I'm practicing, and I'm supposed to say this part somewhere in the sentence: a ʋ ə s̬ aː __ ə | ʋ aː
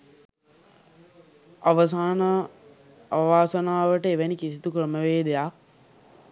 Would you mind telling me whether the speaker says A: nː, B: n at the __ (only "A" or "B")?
B